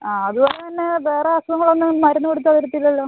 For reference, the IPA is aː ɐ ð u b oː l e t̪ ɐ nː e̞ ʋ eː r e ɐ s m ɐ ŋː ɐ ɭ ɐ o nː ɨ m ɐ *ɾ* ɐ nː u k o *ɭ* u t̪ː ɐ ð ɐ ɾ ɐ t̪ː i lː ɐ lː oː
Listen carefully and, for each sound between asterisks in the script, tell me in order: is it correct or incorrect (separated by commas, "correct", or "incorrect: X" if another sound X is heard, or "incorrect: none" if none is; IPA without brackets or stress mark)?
correct, incorrect: ɽ